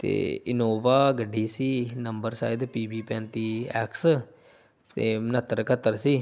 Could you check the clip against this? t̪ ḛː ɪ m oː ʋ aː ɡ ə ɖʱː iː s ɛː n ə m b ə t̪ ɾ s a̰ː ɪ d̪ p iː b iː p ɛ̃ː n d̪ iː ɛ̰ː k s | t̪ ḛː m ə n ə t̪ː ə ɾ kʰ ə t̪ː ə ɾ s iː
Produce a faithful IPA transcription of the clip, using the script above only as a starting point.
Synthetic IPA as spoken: t̪ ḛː ɪ n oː ʋ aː ɡ ə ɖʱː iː s iː n ə m b ə ɾ s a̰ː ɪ d̪ p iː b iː p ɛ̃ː n t̪ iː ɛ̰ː k s | t̪ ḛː m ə n ə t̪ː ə ɾ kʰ ə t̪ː ə ɾ s iː

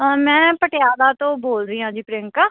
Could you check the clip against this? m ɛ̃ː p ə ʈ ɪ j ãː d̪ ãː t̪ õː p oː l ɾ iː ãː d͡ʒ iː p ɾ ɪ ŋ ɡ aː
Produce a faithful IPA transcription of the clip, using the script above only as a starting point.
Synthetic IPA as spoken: m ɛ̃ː p ə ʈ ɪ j aː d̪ aː t̪ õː b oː l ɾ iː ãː d͡ʒ iː p ɾ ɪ ŋ k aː

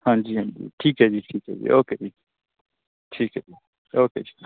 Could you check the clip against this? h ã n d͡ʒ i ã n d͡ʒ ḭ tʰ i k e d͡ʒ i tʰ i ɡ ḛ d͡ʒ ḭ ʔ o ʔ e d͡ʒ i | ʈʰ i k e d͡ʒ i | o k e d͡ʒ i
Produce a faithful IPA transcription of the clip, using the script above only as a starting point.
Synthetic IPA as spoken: h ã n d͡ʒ i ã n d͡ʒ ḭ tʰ i k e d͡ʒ i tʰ i k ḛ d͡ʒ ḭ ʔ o k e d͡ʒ i | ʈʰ i k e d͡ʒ i | o k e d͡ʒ i

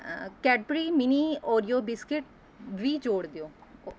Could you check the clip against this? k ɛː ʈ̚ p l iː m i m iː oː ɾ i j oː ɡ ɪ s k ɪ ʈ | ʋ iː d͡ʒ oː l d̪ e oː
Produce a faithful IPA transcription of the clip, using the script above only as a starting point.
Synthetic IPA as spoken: k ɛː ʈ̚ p ɾ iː m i n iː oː ɾ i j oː b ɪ s k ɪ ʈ | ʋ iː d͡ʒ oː ɽ d̪ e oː

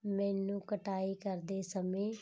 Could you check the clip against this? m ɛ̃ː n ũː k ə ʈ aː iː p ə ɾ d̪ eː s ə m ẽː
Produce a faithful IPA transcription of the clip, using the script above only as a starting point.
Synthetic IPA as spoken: m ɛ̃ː n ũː k ə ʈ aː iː k ə ɾ d̪ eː s ə m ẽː

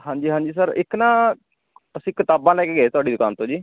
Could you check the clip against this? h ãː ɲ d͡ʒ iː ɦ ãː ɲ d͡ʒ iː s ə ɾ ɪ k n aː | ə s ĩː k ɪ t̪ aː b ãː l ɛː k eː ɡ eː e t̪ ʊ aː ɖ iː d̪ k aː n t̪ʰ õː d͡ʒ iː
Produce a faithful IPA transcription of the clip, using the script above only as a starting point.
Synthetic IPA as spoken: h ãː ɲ d͡ʒ iː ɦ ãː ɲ d͡ʒ iː s ə ɾ ɪ k n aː | ə s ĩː k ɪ t̪ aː b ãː l ɛː k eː ɡ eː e t̪ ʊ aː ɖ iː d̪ k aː n t̪ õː d͡ʒ iː

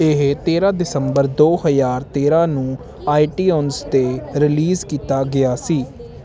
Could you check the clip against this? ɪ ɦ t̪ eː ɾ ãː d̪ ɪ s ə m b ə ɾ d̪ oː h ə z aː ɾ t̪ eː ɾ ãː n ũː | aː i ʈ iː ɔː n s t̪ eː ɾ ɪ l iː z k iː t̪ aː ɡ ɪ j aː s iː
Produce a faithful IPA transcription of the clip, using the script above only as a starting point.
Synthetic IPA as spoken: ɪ ɦ t̪ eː ɾ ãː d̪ ɪ s ə m b ə ɾ d̪ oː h ə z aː ɾ t̪ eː ɾ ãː n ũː | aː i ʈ iː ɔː n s t̪ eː ɾ ɪ l iː z k iː t̪ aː ɡ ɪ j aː s iː

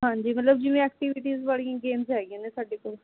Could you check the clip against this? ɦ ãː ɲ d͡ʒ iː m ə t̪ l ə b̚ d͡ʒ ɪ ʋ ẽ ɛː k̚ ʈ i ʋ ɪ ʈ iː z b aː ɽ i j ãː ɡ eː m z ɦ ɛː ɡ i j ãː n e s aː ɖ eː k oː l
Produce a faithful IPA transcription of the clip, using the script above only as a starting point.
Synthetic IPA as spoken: ɦ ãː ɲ d͡ʒ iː m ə t̪ l ə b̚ d͡ʒ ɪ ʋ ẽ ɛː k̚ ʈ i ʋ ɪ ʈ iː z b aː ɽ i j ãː ɡ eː m z ɦ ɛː ɡ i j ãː n e s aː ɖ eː k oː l

